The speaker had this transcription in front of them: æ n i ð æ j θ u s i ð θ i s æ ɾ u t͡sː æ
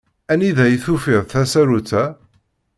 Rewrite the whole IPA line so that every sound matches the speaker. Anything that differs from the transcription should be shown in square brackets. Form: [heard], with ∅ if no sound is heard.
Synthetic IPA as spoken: æ n i ð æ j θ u [f] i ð θ [æ] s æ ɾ u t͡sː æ